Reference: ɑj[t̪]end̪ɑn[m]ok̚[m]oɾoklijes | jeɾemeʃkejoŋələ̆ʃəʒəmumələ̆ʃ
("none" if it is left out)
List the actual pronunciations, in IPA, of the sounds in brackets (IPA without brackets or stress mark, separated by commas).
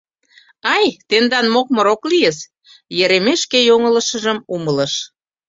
t̪, m, m